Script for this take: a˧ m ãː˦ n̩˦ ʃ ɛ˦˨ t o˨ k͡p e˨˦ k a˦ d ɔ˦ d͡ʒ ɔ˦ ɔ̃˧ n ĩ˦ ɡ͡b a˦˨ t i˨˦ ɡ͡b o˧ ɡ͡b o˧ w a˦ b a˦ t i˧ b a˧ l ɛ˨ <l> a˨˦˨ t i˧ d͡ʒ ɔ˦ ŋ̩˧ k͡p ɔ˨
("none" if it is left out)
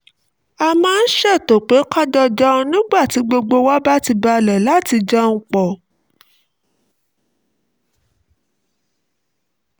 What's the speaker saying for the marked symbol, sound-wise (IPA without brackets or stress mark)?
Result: l